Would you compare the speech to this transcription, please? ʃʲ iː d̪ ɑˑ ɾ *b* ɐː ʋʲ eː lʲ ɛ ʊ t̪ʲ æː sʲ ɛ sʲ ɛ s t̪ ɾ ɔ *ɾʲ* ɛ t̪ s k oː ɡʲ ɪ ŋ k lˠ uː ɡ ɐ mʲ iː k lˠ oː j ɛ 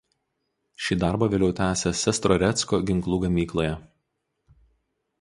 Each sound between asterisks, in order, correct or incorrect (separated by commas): correct, correct